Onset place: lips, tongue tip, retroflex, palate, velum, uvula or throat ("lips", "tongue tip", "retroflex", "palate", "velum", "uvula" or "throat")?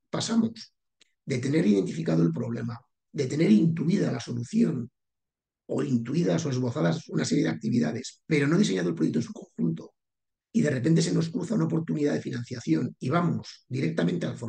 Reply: lips